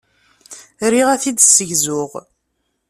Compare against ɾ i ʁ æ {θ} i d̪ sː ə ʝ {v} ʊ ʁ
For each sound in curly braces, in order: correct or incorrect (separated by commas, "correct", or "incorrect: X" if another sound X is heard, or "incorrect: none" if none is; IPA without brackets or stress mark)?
correct, incorrect: z